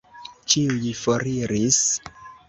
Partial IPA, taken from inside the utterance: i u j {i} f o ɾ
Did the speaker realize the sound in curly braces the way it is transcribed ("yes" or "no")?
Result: yes